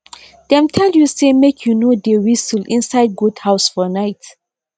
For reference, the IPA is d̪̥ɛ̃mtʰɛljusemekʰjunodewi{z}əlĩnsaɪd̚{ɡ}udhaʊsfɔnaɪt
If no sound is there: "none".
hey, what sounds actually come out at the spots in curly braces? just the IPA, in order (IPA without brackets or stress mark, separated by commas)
s, ɡ